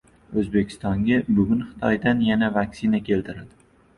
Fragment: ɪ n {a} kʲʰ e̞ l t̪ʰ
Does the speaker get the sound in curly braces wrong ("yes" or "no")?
no